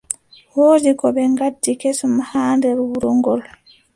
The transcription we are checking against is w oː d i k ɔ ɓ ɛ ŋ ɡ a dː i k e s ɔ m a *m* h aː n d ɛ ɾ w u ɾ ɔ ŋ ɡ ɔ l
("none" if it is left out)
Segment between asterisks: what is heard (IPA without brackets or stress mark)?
none